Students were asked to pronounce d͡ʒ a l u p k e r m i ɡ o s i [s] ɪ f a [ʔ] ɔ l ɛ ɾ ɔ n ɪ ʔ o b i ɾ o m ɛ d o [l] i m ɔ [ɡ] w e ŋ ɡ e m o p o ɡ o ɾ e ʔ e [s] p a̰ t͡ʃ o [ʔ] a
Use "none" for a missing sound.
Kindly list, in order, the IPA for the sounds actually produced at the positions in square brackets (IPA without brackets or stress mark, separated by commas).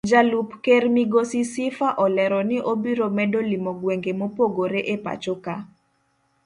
s, ʔ, l, ɡ, none, k